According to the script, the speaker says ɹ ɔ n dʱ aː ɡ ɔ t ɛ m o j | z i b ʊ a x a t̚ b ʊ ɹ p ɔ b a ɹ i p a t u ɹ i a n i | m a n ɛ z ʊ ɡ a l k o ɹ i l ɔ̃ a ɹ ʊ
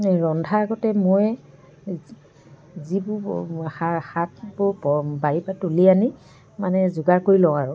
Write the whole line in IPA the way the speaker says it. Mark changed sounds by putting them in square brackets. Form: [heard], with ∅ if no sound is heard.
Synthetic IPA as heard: ɹ ɔ n dʱ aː ɡ ɔ t ɛ m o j | z i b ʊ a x a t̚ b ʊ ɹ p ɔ b a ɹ i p a t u [l] i a n i | m a n ɛ z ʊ ɡ a [ɹ] k o ɹ i l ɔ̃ a ɹ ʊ